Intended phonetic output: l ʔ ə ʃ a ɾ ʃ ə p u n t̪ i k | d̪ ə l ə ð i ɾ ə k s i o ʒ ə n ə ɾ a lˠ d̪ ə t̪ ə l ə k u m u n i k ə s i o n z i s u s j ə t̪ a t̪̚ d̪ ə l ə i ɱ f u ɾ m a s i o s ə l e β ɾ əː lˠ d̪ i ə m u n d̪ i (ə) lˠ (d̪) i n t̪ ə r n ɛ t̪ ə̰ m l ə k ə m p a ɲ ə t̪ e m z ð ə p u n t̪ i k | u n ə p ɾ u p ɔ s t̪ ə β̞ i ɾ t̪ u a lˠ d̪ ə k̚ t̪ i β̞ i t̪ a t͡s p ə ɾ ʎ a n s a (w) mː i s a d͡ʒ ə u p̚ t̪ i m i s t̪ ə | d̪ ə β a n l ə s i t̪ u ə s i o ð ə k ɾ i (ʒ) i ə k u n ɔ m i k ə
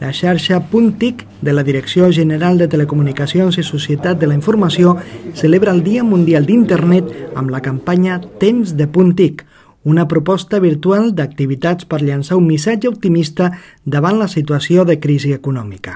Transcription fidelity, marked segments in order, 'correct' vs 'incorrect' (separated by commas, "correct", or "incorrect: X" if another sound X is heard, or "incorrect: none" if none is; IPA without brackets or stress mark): incorrect: a, correct, incorrect: u, incorrect: z